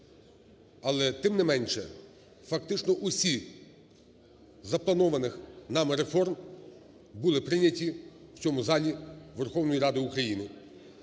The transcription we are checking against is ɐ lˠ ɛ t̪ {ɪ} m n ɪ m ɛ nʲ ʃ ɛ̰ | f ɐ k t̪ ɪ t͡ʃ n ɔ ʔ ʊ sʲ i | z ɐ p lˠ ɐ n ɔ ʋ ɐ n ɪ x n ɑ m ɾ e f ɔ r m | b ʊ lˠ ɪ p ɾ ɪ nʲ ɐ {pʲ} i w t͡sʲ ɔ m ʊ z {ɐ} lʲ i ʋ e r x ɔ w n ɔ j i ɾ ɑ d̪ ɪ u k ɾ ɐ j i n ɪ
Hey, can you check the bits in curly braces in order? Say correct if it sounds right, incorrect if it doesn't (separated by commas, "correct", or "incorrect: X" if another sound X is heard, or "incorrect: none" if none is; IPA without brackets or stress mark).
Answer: correct, incorrect: tʲ, incorrect: ɑ